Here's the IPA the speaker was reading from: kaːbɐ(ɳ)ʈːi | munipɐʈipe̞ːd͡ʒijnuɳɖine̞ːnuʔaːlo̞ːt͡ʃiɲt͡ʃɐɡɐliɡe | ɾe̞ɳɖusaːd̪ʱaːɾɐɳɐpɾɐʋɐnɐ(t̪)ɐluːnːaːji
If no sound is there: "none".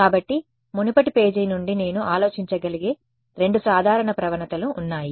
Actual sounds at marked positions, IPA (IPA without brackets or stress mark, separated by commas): none, t̪